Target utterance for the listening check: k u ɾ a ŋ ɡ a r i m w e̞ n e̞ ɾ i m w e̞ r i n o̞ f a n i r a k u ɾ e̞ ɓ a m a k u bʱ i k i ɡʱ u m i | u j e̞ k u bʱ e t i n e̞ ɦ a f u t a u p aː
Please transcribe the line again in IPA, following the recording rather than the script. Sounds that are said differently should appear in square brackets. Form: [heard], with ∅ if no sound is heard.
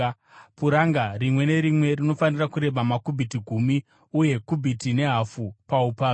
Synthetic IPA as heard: [p] u ɾ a ŋ ɡ a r i m w e̞ n e̞ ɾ i m w e̞ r i n o̞ f a n i r a k u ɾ e̞ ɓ a m a k u bʱ i [t] i ɡʱ u m i | u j e̞ k u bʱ [i] t i n e̞ ɦ a f u [p] a u p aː